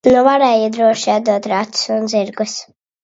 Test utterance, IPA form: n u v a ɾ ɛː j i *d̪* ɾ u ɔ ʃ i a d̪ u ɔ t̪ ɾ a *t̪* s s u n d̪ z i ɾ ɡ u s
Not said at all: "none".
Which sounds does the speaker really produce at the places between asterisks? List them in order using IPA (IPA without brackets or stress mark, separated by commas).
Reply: d̪, t̪